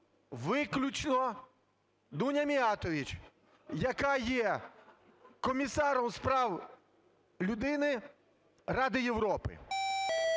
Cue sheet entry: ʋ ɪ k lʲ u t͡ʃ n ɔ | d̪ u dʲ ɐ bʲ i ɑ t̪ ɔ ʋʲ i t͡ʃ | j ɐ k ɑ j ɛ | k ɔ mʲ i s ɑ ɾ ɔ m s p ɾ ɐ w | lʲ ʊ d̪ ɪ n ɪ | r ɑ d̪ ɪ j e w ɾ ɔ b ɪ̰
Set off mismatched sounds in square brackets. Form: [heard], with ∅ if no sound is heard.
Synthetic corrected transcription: ʋ ɪ k lʲ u t͡ʃ n ɔ | d̪ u [nʲ] ɐ [mʲ] i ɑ t̪ ɔ ʋʲ i t͡ʃ | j ɐ k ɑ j ɛ | k ɔ mʲ i s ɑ ɾ ɔ m s p ɾ [ɑ] w | lʲ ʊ d̪ ɪ n ɪ | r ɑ d̪ ɪ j e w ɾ ɔ [p] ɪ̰